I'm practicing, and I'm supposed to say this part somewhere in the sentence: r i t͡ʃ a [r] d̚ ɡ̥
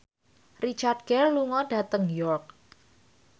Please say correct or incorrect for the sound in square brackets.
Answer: correct